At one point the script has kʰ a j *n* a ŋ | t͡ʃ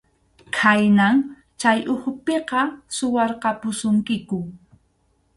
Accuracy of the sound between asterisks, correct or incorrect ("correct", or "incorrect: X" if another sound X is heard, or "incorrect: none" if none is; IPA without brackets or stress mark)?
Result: correct